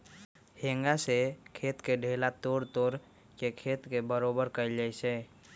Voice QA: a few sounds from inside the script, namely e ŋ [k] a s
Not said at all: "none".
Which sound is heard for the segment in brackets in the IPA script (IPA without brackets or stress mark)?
ɡ